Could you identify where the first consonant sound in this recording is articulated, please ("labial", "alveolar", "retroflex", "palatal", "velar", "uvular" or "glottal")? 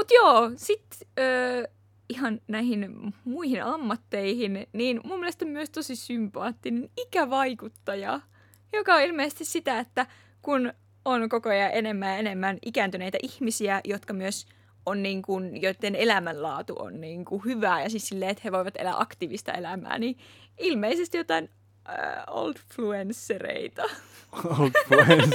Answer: labial